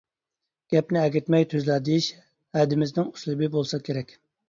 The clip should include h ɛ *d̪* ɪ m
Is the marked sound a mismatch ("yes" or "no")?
no